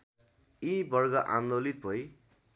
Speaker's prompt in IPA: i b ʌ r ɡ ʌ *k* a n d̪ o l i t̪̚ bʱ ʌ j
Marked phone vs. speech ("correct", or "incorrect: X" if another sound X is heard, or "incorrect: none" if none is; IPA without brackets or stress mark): incorrect: ʔ